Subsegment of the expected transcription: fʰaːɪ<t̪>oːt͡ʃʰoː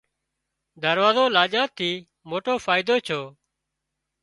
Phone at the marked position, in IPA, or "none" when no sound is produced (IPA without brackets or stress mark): d̪